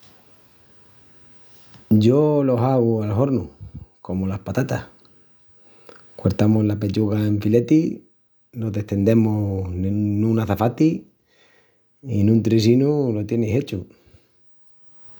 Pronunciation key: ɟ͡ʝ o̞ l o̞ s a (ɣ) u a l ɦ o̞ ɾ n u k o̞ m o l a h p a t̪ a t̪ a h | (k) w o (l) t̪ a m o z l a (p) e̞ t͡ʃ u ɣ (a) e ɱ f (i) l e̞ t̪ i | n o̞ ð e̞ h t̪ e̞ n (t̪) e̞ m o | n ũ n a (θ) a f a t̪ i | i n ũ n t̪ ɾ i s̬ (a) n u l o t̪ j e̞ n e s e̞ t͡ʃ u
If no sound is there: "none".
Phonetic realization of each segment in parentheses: ɣ, k, ɾ, p, a, i, d̪, θ, i

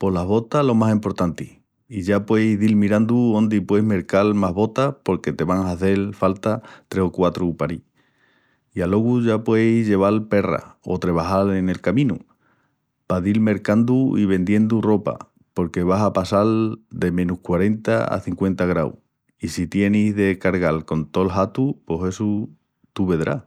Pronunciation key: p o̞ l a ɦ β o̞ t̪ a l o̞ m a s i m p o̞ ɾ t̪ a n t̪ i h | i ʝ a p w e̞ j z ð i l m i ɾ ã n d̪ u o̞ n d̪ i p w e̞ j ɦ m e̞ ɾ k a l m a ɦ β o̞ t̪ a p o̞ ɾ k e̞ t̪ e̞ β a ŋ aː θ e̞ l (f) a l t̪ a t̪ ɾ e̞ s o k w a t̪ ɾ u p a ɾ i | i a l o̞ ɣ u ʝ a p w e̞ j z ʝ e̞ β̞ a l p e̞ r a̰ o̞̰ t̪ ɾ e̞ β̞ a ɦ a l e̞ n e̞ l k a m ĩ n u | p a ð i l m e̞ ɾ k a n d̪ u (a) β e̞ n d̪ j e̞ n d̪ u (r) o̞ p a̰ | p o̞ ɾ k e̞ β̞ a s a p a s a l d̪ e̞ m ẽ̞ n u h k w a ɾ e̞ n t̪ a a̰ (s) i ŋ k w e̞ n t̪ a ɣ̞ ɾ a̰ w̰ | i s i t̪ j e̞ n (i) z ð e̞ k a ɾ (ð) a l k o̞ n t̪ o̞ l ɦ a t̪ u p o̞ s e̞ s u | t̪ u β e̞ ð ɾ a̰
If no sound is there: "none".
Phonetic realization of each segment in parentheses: f, i, r, θ, i, ɣ

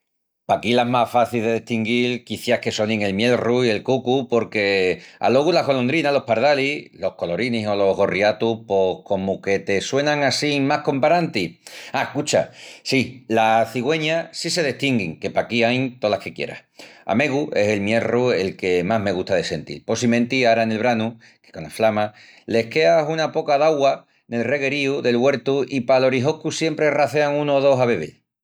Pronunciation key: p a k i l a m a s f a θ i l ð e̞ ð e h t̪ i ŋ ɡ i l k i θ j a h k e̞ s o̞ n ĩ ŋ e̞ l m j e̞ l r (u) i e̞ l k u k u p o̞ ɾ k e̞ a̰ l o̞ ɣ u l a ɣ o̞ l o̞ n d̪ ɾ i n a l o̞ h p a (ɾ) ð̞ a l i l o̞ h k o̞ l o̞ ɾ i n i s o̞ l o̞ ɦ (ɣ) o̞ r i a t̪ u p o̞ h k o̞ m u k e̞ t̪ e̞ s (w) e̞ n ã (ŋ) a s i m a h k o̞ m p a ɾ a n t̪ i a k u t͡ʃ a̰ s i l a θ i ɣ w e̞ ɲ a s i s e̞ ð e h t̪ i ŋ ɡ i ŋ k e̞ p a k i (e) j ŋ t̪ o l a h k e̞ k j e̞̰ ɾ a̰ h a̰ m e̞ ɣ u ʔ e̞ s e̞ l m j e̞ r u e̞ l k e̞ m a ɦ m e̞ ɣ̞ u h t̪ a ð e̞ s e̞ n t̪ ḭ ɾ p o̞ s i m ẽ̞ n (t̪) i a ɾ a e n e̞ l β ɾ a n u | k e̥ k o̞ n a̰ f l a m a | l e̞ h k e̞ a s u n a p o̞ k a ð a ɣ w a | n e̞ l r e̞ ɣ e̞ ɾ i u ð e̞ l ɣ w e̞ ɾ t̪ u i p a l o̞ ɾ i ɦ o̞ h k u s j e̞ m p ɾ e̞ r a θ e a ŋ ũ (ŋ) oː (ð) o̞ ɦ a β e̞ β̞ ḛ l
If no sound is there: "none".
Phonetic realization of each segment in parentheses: u, ɾ, ɣ, w, ŋ, a, t̪, n, ð

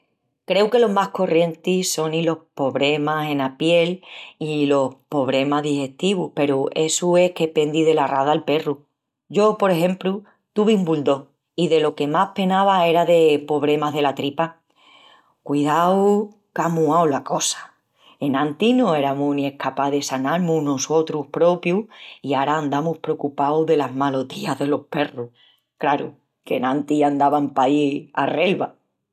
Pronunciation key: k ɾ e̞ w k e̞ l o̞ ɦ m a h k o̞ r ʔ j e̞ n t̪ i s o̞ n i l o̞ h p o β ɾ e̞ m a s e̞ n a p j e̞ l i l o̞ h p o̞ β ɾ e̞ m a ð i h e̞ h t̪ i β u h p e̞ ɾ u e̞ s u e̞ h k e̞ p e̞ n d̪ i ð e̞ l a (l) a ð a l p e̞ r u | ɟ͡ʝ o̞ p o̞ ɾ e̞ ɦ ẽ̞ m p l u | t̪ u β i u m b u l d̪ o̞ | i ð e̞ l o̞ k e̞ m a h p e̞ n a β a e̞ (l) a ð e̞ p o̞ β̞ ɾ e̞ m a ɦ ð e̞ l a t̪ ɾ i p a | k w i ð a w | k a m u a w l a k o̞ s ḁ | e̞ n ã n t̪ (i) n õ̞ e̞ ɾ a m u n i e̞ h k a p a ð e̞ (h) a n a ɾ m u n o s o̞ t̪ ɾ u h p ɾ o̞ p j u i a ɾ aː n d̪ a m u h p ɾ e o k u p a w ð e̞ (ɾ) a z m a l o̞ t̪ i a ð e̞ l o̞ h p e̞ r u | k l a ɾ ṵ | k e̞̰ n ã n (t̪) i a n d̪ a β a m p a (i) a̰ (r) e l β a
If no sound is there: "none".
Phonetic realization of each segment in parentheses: r, ɾ, i, s, l, t̪, i, r

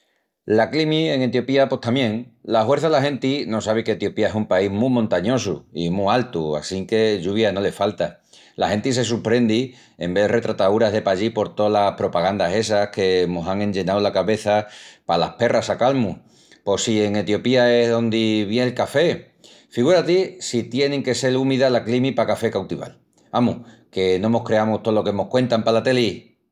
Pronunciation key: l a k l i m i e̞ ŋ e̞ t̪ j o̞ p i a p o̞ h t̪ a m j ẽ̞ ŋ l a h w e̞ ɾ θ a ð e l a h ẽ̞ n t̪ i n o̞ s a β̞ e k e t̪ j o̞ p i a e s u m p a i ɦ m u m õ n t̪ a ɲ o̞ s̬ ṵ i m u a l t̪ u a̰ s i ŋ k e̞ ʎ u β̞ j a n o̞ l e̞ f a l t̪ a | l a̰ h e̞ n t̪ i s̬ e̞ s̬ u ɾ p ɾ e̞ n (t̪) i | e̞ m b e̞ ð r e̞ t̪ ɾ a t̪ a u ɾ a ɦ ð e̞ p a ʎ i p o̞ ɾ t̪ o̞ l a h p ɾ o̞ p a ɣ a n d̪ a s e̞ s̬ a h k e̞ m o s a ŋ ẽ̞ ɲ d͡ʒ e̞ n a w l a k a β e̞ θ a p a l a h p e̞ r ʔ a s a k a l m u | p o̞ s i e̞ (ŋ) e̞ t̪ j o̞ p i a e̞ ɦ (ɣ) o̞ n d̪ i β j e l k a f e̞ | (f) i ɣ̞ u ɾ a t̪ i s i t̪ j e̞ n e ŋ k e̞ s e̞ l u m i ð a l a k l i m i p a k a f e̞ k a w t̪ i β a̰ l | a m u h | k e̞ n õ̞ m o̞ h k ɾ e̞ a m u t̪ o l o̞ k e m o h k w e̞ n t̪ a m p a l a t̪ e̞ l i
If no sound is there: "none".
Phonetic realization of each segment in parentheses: d̪, ŋ, ð, f

